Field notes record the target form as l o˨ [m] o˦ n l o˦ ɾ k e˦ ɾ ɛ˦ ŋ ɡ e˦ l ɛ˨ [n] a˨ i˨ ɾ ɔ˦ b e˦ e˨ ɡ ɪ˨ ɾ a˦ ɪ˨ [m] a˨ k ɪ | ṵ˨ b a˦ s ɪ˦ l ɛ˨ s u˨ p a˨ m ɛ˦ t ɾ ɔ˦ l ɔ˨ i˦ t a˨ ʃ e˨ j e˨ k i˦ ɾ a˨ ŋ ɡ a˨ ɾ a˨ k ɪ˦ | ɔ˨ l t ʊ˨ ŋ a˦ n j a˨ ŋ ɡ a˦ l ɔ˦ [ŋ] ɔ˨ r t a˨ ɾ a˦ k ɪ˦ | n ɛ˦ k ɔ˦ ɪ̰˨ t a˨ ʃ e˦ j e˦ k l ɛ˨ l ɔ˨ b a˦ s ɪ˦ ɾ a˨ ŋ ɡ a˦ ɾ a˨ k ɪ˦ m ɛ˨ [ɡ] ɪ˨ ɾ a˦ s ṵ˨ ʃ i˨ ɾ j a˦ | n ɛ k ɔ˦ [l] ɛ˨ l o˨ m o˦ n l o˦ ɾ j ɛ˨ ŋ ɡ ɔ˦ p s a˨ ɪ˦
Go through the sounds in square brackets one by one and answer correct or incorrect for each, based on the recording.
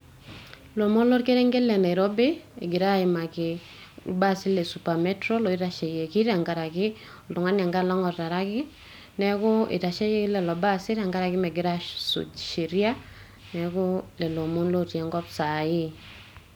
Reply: correct, correct, correct, correct, correct, correct

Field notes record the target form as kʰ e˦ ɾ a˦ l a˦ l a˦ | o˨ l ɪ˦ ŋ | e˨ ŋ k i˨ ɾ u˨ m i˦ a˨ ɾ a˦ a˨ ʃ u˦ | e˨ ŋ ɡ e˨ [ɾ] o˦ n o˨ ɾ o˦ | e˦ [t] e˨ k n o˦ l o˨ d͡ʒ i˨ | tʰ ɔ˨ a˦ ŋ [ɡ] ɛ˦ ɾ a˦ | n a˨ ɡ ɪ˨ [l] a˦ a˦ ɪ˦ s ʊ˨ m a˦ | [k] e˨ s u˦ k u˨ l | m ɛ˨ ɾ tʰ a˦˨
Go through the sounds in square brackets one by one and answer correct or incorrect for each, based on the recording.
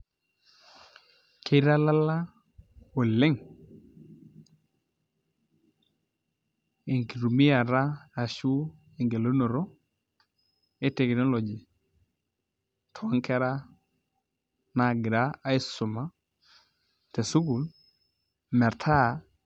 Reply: incorrect: l, correct, incorrect: k, incorrect: ɾ, incorrect: t

